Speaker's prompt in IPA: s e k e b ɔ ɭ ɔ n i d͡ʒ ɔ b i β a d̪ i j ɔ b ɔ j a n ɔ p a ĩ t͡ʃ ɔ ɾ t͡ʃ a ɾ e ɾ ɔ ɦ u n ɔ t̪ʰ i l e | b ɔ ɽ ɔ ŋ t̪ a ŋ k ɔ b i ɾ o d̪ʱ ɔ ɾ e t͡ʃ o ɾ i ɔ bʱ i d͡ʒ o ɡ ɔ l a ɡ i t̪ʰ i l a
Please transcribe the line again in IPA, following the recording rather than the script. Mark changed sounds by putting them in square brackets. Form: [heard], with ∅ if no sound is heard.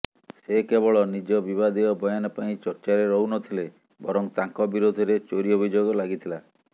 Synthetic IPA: s e k e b ɔ ɭ ɔ n i d͡ʒ ɔ b i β a d̪ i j ɔ b ɔ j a n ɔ p a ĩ t͡ʃ ɔ ɾ t͡ʃ a ɾ e ɾ ɔ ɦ u n ɔ t̪ʰ i l e | b ɔ [ɾ] ɔ ŋ t̪ a ŋ k ɔ b i ɾ o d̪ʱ ɔ ɾ e t͡ʃ o ɾ i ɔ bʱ i d͡ʒ o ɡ ɔ l a ɡ i t̪ʰ i l a